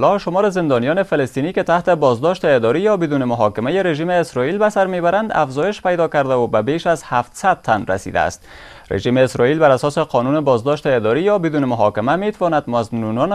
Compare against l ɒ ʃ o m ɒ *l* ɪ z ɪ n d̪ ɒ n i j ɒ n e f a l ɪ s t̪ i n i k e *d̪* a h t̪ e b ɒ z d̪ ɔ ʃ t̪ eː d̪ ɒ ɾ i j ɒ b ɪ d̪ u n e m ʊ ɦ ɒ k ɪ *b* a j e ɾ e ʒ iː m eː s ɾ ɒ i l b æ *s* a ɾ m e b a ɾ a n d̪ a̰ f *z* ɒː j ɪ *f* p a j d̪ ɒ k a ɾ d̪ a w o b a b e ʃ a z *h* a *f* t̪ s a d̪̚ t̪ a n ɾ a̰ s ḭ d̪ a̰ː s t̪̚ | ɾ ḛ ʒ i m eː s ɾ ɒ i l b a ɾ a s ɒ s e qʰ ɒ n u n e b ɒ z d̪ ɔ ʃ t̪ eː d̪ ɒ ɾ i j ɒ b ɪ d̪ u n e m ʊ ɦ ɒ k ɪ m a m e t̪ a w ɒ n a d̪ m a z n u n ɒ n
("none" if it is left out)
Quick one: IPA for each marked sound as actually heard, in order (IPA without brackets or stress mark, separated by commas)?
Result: ɾ, t̪, m, s, z, ʃ, h, f